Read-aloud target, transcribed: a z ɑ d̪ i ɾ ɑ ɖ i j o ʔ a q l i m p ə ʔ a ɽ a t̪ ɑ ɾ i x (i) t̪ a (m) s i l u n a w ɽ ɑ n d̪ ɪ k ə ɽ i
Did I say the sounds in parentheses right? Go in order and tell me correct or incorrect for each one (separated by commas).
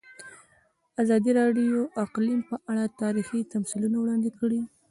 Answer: correct, correct